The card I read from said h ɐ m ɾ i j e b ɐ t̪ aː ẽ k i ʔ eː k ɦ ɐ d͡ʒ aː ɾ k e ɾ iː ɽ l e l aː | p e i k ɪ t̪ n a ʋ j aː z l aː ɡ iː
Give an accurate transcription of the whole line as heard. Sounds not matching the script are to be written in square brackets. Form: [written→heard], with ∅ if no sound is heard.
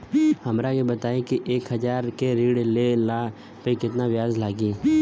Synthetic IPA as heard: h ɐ m ɾ [i→a] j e b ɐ t̪ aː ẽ k i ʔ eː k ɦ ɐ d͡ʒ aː ɾ k e ɾ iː ɽ l e l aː | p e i k ɪ t̪ n a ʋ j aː z l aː ɡ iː

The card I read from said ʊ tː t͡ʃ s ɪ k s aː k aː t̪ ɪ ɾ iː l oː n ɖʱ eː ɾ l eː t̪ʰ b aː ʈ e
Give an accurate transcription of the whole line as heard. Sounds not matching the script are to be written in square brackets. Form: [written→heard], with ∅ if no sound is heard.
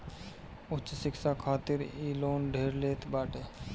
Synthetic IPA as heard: ʊ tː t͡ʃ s ɪ k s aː [k→kʰ] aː t̪ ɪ ɾ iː l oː n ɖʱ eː ɾ l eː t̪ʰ b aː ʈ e

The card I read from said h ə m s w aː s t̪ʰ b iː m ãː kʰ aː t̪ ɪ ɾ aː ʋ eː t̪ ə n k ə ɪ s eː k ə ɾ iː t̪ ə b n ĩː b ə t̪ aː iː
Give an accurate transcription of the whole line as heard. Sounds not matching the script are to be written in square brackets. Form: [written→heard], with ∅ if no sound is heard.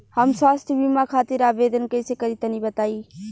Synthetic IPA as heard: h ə m s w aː s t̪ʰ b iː m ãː kʰ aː t̪ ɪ ɾ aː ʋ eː [t̪→d̪] ə n k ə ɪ s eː k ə ɾ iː t̪ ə [b→∅] n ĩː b ə t̪ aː iː

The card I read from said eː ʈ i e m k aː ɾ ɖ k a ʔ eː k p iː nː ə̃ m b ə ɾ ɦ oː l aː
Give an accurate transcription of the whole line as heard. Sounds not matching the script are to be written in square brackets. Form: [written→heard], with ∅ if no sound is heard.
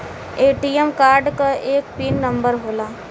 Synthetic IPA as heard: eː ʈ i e m k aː ɾ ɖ k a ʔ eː k p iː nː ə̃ m b ə ɾ ɦ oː l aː

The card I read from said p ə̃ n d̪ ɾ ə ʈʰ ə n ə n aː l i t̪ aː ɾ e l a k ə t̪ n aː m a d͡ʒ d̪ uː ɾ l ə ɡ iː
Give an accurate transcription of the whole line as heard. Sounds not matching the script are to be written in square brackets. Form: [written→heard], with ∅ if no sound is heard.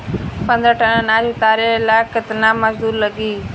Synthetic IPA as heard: p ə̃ n d̪ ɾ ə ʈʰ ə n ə n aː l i t̪ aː ɾ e l a k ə t̪ n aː m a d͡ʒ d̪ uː ɾ l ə ɡ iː

